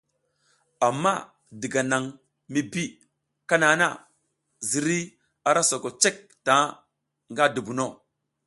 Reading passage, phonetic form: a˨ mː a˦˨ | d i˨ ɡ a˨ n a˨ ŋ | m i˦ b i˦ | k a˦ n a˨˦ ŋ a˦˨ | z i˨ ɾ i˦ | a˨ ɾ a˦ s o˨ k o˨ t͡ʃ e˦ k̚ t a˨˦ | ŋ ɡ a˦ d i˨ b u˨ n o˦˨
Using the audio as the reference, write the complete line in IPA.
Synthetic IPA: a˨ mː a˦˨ | d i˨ ɡ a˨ n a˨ ŋ | m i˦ b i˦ | k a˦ n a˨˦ n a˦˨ | z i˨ ɾ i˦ | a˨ ɾ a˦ s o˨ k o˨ t͡ʃ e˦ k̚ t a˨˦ | ŋ ɡ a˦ d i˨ b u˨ n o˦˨